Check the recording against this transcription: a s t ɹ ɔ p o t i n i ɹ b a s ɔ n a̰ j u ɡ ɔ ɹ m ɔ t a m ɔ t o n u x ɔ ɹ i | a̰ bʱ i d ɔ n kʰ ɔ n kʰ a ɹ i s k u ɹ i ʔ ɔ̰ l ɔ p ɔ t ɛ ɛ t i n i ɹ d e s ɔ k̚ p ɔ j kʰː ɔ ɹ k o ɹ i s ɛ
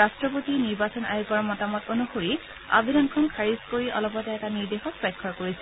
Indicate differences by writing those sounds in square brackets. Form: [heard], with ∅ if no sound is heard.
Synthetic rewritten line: a s t ɹ ɔ p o t i n i ɹ b a s ɔ n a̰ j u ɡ ɔ ɹ m ɔ t a m ɔ t o n u x [o] ɹ i | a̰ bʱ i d ɔ n kʰ ɔ n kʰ a ɹ i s k [o] ɹ i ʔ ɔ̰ l ɔ p ɔ t ɛ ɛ t [a] n i ɹ d e [x] ɔ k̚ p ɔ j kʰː ɔ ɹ k o ɹ i s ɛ